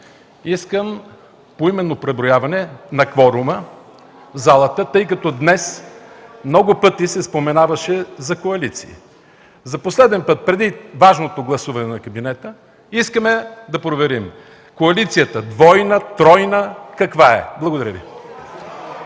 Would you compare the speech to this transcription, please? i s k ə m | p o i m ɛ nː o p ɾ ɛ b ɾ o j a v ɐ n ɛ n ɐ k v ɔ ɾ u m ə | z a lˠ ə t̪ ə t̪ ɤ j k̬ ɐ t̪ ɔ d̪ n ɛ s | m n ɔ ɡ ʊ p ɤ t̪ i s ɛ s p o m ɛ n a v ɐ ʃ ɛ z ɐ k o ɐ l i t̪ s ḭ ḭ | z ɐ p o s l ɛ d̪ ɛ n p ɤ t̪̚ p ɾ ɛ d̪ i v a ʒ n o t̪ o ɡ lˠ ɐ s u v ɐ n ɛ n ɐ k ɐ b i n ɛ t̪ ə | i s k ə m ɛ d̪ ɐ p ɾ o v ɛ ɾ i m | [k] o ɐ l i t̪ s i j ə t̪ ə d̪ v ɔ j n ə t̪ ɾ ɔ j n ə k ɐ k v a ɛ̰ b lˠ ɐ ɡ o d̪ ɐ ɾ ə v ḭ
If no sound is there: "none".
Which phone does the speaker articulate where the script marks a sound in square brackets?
k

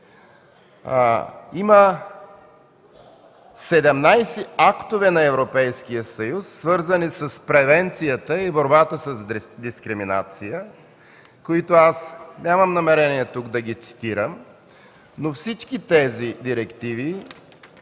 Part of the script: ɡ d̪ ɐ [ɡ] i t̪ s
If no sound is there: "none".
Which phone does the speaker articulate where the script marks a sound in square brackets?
ɡ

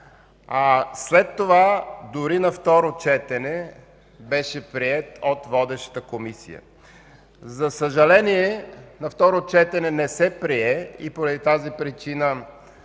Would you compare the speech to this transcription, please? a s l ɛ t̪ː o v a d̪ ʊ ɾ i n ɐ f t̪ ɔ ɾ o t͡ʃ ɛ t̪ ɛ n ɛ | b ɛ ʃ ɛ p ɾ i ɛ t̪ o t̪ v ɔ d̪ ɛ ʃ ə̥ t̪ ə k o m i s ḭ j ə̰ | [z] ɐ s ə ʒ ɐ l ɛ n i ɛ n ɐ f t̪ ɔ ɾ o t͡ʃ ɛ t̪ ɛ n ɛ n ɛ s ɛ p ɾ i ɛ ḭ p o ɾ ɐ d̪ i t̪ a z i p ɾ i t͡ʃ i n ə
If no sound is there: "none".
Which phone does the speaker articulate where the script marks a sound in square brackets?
z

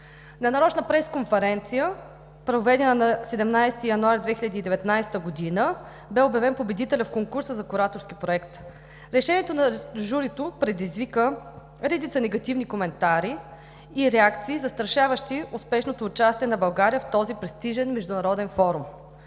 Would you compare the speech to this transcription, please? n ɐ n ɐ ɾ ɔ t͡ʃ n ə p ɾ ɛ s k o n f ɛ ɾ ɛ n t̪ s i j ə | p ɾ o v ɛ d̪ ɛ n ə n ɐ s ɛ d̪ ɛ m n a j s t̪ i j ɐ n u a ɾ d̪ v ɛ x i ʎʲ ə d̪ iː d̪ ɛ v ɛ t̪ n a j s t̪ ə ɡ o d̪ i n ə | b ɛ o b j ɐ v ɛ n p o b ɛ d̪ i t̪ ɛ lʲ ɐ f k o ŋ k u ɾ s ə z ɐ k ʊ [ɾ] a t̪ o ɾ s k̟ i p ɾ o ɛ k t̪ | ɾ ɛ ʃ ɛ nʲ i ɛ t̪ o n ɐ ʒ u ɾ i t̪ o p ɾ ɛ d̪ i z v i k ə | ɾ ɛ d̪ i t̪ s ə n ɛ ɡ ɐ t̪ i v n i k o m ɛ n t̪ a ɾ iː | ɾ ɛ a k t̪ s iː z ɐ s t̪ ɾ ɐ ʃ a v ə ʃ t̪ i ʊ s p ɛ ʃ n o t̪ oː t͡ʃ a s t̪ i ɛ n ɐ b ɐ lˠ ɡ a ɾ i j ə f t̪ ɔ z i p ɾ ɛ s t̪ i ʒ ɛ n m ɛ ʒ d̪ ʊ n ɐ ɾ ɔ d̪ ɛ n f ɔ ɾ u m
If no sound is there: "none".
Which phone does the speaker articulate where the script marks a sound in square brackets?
ɾ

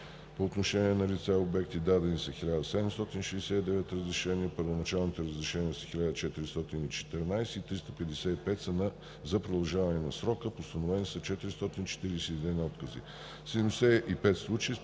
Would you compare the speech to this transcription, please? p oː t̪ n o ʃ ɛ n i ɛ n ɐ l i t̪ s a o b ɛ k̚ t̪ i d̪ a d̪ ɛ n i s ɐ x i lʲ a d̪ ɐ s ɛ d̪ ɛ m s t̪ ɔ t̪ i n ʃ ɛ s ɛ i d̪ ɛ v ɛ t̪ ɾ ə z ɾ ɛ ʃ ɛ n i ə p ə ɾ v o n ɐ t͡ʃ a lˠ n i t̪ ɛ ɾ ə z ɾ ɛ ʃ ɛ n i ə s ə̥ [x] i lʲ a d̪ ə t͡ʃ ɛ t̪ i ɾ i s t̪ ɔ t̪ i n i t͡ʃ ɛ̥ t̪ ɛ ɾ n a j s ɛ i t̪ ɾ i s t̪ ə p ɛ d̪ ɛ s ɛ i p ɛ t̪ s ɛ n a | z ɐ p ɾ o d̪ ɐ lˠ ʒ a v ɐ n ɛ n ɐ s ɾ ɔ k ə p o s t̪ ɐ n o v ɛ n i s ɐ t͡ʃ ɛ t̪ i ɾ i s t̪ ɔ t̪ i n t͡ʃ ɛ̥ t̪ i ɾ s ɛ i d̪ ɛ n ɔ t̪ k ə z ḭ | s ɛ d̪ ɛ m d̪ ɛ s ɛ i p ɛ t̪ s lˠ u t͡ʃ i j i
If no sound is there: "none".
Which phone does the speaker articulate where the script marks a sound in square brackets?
x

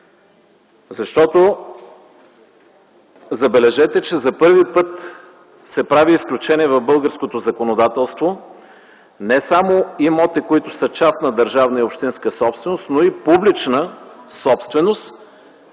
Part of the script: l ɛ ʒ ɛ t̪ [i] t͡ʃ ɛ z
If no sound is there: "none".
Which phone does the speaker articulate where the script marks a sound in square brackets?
ɛ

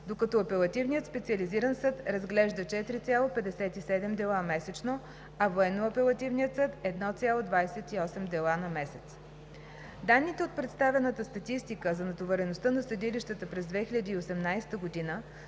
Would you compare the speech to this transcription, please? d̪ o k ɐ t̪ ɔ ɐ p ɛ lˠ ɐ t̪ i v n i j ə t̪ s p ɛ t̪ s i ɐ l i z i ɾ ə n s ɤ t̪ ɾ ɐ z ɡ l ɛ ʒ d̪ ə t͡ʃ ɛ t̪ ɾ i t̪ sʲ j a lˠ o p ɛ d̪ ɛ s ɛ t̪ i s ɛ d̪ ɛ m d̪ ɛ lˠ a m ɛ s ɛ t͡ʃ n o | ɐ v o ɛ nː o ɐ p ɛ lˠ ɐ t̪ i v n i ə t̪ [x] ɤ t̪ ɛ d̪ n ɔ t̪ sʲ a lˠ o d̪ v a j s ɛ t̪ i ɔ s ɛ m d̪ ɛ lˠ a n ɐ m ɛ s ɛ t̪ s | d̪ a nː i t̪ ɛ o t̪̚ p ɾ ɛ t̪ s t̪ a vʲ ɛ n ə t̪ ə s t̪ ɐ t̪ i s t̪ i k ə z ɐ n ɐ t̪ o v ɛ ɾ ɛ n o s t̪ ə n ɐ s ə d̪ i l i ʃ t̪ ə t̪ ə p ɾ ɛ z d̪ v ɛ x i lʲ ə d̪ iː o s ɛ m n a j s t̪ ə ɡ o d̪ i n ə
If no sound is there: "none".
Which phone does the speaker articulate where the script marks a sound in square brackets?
s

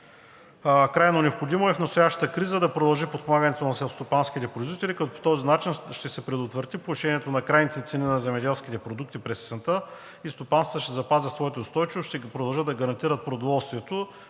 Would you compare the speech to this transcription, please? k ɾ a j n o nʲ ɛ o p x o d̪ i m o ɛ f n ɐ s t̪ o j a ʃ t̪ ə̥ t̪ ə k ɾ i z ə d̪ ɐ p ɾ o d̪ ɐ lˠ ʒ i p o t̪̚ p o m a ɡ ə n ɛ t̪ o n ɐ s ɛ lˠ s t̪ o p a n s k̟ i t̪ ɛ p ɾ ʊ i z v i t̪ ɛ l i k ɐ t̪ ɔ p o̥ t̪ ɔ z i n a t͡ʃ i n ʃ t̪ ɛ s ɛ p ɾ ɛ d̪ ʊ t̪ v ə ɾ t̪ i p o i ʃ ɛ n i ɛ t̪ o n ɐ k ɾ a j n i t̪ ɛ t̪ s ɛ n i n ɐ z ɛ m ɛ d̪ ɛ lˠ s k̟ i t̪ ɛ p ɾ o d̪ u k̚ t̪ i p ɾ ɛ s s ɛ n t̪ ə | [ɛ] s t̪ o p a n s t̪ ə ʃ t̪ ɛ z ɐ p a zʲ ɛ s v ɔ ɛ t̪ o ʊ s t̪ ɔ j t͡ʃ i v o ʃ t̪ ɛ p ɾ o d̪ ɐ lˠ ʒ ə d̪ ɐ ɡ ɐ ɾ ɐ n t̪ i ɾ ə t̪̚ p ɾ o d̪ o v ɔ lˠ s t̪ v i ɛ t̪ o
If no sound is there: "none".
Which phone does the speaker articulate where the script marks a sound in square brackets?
i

